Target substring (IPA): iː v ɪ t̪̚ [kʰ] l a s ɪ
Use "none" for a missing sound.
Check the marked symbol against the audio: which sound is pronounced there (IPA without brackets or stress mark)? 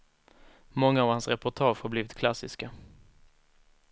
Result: kʰ